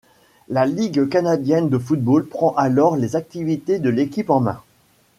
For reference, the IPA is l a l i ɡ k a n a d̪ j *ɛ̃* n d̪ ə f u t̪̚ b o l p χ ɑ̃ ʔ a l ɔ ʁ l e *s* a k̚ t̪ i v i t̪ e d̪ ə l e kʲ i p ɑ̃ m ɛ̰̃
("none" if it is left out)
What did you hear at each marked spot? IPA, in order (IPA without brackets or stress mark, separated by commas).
ɛ, z